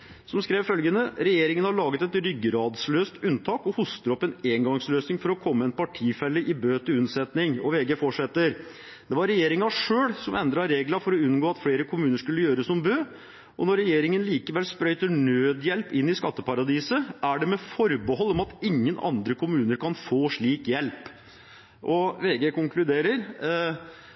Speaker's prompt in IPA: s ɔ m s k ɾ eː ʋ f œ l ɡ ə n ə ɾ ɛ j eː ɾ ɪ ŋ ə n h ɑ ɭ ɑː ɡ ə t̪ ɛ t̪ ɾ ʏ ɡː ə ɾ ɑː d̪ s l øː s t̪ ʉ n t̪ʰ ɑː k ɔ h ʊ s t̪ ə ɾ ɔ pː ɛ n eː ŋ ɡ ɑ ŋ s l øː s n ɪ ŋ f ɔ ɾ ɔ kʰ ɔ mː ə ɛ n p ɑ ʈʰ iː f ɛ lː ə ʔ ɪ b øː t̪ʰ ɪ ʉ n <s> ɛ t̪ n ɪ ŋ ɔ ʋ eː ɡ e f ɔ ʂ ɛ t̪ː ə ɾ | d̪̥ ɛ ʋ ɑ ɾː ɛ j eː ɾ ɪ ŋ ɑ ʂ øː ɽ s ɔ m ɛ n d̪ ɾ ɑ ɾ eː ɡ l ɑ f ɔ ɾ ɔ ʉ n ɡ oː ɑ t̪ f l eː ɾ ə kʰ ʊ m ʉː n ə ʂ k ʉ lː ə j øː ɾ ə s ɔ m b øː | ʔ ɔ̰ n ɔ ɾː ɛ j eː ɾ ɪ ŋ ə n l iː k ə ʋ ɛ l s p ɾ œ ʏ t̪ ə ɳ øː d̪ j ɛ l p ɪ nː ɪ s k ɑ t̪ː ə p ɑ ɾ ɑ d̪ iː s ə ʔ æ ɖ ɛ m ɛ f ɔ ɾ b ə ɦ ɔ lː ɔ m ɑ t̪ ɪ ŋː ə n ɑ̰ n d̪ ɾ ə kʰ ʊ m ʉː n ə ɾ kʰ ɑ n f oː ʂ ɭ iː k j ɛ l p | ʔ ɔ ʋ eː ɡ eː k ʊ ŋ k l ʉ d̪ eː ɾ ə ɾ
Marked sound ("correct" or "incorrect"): correct